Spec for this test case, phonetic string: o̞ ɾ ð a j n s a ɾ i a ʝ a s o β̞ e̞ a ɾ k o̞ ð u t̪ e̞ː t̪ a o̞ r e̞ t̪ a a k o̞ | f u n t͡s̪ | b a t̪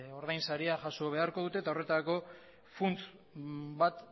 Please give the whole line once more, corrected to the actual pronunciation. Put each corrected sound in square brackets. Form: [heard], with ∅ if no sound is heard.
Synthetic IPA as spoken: o̞ ɾ ð a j n s a ɾ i a ʝ a s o β̞ e̞ a ɾ k o̞ ð u t̪ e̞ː t̪ a o̞ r e̞ t̪ a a k o̞ | f u n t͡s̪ | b a t̪